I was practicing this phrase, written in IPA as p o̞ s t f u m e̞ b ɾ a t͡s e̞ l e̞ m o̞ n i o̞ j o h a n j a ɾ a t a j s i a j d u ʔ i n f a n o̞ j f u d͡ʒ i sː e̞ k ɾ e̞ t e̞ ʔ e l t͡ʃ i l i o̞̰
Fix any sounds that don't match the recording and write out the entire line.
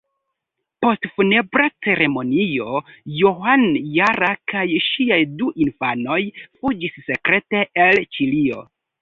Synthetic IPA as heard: p o̞ s t f u n e̞ b ɾ a t͡s e̞ ɾ e̞ m o̞ n i o̞ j o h a n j a ɾ a k a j ʃ i a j d u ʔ i n f a n o̞ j f u d͡ʒ i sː e̞ k ɾ e̞ t e̞ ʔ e l t͡ʃ i l i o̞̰